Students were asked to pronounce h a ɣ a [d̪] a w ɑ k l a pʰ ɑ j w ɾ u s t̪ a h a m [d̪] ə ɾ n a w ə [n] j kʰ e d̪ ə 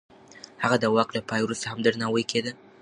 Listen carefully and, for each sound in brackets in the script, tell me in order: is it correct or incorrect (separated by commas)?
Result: correct, correct, incorrect